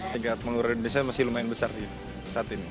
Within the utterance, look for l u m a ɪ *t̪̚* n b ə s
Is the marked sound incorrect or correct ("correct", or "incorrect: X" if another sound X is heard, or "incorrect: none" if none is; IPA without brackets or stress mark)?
incorrect: none